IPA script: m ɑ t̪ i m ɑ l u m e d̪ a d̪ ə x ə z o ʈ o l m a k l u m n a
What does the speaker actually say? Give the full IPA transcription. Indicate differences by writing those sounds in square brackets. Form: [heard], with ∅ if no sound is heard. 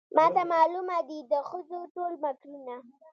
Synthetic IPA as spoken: m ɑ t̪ [a] m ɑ l u m [a] d̪ [i] d̪ ə x ə z o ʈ o l m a k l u [∅] n a